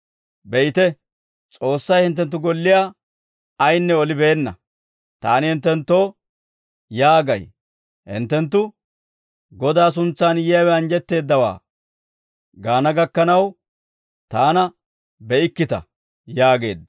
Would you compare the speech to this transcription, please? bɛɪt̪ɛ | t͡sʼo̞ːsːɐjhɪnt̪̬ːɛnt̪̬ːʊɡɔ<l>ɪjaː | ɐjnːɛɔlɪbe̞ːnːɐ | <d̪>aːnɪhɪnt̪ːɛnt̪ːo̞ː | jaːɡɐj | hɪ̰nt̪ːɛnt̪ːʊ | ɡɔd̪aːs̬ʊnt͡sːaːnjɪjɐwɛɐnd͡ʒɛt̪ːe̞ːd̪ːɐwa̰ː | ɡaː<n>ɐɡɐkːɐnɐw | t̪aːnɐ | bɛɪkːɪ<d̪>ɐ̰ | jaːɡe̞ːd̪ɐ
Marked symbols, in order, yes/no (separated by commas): no, no, yes, no